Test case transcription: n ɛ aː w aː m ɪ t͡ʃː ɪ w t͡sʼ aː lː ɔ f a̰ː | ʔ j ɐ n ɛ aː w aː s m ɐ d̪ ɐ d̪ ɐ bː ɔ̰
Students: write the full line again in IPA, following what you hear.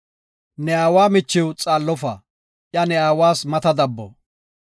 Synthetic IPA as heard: n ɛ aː w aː m ɪ t͡ʃː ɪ w t͡sʼ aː lː ɔ f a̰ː | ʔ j ɐ n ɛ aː w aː s m ɐ t̪ ɐ d̪ ɐ bː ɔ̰